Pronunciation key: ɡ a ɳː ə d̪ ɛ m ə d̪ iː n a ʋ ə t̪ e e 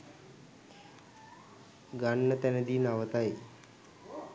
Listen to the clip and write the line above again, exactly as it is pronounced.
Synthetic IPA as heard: ɡ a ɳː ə t̪ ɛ n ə d̪ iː n a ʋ ə t̪ a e